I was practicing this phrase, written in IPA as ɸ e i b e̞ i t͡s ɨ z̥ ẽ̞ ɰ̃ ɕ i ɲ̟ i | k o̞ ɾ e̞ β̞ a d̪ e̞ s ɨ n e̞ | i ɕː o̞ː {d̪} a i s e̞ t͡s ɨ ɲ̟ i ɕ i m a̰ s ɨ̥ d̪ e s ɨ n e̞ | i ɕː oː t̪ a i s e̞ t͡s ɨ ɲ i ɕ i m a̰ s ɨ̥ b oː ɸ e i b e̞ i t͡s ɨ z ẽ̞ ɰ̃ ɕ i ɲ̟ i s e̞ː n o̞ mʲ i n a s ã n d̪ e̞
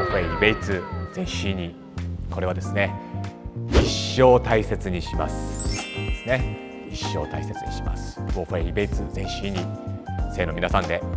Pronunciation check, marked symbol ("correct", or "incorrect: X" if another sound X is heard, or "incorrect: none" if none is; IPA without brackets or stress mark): incorrect: t̪